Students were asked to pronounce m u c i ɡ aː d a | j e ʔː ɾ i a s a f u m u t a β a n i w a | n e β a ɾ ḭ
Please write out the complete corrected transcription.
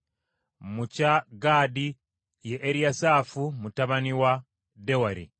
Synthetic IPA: m u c a ɡ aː d i | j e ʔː ɾ i a s a f u m u t a β a n i w a | d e w a ɾ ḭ